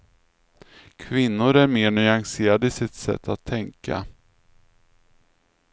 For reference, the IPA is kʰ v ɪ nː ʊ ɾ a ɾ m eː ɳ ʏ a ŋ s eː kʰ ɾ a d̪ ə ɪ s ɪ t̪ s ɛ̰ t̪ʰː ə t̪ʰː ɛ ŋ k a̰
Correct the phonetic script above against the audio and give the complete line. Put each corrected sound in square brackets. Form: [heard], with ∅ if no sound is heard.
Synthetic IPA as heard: kʰ v ɪ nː ʊ ɾ [æ] ɾ m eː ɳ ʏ a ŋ s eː [∅] ɾ a d̪ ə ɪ s ɪ t̪ s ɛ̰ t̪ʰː [a] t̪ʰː ɛ ŋ k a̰